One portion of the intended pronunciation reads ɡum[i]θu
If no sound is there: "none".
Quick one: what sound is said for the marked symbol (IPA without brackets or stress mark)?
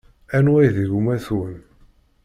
æ